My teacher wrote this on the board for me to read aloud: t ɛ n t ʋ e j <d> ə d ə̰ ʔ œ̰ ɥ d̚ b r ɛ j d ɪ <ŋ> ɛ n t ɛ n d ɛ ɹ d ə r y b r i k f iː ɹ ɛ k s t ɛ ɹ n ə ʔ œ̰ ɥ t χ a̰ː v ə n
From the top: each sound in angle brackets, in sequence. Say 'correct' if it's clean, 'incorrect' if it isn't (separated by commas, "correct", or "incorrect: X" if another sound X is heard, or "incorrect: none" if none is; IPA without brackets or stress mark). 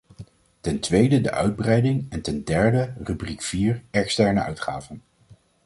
correct, correct